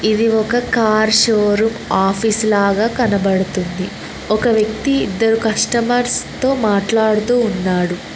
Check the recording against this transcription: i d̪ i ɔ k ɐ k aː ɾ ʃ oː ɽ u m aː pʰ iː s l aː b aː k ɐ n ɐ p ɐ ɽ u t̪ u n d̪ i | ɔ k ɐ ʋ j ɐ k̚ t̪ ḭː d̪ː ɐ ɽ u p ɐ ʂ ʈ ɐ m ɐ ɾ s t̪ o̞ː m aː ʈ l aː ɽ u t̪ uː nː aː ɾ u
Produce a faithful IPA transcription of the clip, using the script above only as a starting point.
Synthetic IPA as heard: i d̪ i ɔ k ɐ k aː ɾ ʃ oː ɾ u m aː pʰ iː s l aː ɡ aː k ɐ n ɐ b ɐ ɽ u t̪ u n d̪ i | ɔ k ɐ ʋ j ɐ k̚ t̪ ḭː d̪ː ɐ ɾ u k ɐ ʂ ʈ ɐ m ɐ ɾ s t̪ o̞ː m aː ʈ l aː ɽ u t̪ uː nː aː ɽ u